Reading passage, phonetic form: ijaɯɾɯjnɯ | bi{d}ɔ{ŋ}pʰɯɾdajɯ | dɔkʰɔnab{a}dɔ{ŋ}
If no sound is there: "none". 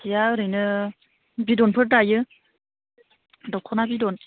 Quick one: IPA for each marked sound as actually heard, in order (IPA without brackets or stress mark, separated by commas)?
d, n, i, n